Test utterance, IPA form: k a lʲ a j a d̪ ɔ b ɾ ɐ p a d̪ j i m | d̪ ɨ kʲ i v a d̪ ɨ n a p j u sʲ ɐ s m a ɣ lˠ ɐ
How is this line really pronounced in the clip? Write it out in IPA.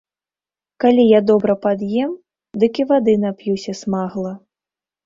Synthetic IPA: k a lʲ i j a d̪ ɔ b ɾ ɐ p a d̪ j ɛ m | d̪ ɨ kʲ i v a d̪ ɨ n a p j u sʲ ɐ s m a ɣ lˠ ɐ